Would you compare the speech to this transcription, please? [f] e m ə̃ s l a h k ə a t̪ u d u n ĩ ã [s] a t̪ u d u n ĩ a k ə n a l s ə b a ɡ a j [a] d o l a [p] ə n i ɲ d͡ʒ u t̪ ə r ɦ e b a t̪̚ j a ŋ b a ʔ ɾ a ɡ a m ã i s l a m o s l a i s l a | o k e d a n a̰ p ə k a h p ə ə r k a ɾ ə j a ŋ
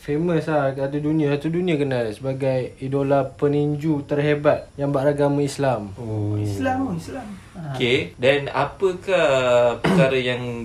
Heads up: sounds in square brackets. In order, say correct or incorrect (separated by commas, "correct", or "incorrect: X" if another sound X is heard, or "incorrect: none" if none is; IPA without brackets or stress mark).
correct, correct, incorrect: i, correct